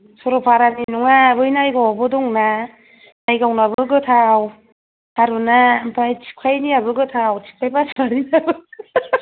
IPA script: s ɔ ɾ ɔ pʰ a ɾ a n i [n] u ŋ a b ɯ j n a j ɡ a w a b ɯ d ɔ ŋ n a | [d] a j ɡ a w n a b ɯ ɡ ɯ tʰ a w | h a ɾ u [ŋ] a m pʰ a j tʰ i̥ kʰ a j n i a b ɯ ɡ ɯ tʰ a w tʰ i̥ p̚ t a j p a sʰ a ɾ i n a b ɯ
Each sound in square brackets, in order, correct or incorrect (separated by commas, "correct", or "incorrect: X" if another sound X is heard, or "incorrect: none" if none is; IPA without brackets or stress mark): correct, incorrect: n, incorrect: n